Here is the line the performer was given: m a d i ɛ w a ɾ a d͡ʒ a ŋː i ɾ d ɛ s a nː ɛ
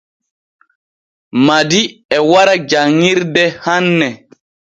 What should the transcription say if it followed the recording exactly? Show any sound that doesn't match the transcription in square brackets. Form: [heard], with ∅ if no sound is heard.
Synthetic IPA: m a d i ɛ w a ɾ a d͡ʒ a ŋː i ɾ d ɛ [h] a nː ɛ